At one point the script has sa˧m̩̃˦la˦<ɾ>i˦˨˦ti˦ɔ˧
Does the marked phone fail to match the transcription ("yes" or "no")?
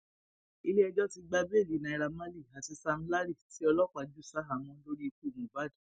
no